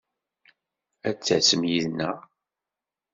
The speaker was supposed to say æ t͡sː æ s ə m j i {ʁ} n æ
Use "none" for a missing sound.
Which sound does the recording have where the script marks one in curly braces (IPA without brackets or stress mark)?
ð